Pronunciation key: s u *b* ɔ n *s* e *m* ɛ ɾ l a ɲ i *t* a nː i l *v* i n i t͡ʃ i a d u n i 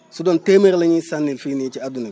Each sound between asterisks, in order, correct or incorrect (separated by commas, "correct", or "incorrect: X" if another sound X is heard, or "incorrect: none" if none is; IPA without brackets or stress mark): incorrect: d, incorrect: t, correct, incorrect: s, incorrect: f